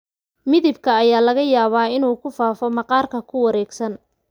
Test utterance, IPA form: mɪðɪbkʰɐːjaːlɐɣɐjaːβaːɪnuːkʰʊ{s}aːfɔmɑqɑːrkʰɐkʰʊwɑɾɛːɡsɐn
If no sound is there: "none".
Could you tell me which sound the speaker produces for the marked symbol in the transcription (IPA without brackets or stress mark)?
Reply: f